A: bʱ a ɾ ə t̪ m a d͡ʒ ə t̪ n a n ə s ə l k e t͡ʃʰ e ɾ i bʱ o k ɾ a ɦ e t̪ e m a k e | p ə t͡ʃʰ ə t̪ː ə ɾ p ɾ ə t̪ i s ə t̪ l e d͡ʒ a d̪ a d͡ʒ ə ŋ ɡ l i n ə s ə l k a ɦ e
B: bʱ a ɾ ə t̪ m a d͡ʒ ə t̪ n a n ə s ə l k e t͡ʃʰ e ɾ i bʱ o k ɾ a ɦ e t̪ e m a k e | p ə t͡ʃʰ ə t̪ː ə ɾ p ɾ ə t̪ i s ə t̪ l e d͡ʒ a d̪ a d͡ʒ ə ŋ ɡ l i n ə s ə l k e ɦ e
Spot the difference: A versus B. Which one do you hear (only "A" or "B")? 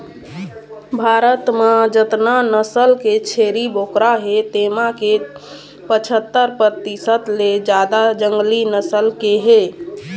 B